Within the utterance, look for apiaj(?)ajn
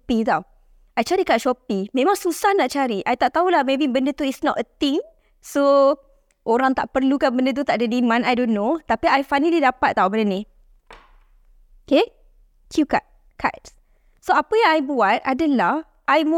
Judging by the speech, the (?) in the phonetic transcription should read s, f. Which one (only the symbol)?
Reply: f